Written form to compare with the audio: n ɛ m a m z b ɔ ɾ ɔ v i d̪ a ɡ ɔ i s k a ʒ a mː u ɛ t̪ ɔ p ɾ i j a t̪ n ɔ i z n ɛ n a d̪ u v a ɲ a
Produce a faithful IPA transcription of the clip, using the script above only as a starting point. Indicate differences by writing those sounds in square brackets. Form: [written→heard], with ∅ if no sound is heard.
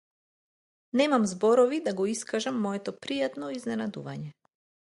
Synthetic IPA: n ɛ m a m z b ɔ ɾ ɔ v i d̪ a ɡ ɔ i s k a ʒ a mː [u→ɔ] ɛ t̪ ɔ p ɾ i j a t̪ n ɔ i z n ɛ n a d̪ u v a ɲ [a→ɛ]

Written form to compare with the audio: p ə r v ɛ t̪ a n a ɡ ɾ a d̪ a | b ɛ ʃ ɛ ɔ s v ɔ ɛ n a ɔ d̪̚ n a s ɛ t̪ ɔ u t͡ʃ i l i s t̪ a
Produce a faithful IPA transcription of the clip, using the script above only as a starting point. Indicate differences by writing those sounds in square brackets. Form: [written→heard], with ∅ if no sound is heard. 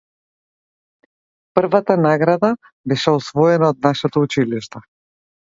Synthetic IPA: p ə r v [ɛ→a] t̪ a n a ɡ ɾ a d̪ a | b ɛ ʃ ɛ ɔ s v ɔ ɛ n a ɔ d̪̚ n a [s→ʃ] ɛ t̪ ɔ u t͡ʃ i l i [s→ʃ] t̪ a

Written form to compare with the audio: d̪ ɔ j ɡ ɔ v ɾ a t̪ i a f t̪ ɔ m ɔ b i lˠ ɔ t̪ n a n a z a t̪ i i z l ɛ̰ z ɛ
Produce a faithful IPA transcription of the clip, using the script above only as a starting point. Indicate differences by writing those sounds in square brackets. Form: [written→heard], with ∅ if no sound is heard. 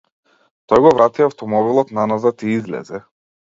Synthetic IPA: [d̪→t̪] ɔ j ɡ ɔ v ɾ a t̪ i a f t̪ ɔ m ɔ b i lˠ ɔ t̪ n a n a z a t̪ i i z l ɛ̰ z ɛ

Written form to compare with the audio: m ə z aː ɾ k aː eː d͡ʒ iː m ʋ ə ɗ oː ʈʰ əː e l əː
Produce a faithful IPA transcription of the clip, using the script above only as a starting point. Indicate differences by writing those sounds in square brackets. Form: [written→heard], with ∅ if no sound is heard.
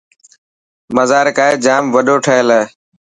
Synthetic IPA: m ə z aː ɾ k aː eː d͡ʒ [iː→aː] m ʋ ə ɗ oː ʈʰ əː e l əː

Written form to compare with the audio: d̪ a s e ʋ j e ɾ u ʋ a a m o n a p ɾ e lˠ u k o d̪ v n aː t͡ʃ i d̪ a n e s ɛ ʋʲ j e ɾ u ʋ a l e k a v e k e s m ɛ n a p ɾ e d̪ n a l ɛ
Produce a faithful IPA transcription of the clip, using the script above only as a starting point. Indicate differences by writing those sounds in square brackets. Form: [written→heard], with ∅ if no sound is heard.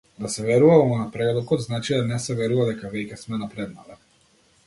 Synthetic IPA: d̪ a s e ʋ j e ɾ u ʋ a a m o n a p ɾ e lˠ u k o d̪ [v→z] n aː t͡ʃ i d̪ a n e s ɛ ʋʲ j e ɾ u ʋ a l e k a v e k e s m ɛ n a p ɾ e d̪ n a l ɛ

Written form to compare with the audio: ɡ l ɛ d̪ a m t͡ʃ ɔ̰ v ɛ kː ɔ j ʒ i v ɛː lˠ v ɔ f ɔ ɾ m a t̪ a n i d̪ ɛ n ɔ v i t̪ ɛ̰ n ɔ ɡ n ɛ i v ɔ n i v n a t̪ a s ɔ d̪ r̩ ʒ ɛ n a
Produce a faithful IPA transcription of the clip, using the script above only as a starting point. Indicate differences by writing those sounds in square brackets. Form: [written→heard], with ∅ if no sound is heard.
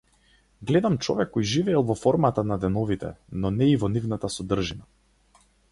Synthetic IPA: ɡ l ɛ d̪ a m t͡ʃ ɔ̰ v ɛ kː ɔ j ʒ i v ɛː lˠ v ɔ f ɔ ɾ m a t̪ a n [i→a] d̪ ɛ n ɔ v i t̪ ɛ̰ n ɔ [ɡ→∅] n ɛ i v ɔ n i v n a t̪ a s ɔ d̪ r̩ ʒ [ɛ→i] n a

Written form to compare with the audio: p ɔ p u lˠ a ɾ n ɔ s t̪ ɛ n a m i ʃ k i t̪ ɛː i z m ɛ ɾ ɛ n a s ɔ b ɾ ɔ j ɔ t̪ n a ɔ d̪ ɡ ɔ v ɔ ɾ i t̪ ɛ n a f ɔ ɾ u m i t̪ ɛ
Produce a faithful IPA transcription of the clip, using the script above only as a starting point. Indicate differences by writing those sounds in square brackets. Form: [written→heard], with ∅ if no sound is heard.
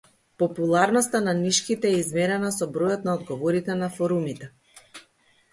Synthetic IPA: p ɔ p u lˠ a ɾ n ɔ s t̪ [ɛ→a] n a [m→n] i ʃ k i t̪ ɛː i z m ɛ ɾ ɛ n a s ɔ b ɾ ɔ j ɔ t̪ n a ɔ d̪ ɡ ɔ v ɔ ɾ i t̪ ɛ n a f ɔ ɾ u m i t̪ ɛ

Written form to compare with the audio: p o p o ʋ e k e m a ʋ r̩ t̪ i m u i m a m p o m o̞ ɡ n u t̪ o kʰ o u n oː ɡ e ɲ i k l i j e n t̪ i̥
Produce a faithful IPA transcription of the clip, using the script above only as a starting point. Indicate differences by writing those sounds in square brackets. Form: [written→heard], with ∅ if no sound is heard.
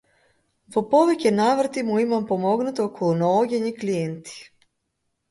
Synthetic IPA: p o p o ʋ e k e [m→n] a ʋ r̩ t̪ i m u i m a m p o m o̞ ɡ n u t̪ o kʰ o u n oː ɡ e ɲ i k l i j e n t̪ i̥

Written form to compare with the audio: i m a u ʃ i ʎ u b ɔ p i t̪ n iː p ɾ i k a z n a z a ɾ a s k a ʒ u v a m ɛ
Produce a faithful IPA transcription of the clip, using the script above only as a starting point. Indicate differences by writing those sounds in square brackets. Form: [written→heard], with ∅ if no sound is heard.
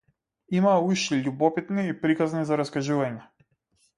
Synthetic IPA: i m a u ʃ i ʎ u b ɔ p i t̪ n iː p ɾ i k a z n [a→i] z a ɾ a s k a ʒ u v a [m→ɲ] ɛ

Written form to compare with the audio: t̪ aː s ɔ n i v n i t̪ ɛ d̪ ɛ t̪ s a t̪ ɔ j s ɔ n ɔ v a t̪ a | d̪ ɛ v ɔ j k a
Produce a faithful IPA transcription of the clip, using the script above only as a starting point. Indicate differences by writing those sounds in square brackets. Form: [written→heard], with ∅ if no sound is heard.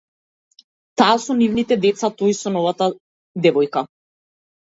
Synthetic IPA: t̪ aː s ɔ n i v n i t̪ ɛ d̪ ɛ t̪ s a t̪ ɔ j s ɔ n ɔ v a t̪ a | d̪ ɛ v ɔ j k a

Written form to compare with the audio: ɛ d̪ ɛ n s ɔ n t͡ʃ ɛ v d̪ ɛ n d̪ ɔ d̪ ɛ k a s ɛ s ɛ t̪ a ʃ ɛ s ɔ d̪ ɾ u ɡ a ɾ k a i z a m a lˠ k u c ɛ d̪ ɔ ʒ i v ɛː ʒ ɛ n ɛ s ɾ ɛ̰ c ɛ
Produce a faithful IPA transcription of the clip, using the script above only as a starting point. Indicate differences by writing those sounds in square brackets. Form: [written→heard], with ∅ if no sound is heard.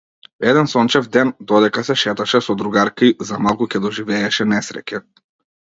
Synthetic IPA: ɛ d̪ ɛ n s ɔ n t͡ʃ ɛ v d̪ ɛ n d̪ ɔ d̪ ɛ k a s ɛ [s→ʃ] ɛ t̪ a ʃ ɛ s ɔ d̪ ɾ u ɡ a ɾ k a i z a m a lˠ k u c ɛ d̪ ɔ ʒ i v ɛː [ʒ→ʃ] ɛ n ɛ s ɾ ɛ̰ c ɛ

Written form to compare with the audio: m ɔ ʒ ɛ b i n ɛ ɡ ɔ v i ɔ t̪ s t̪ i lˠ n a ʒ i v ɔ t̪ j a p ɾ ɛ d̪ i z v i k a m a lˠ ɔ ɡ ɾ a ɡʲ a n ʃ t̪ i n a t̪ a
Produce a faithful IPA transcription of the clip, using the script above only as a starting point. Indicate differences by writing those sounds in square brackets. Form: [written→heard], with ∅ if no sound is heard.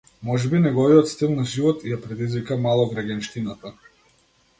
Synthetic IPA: m ɔ ʒ ɛ b i n ɛ ɡ ɔ v i ɔ t̪ s t̪ i lˠ n a ʒ i v ɔ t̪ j a p ɾ ɛ d̪ i z v i k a m a lˠ ɔ ɡ ɾ a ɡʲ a n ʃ t̪ i n a t̪ a

